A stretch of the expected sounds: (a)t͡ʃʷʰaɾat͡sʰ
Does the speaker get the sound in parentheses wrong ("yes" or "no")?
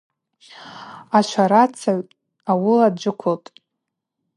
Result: no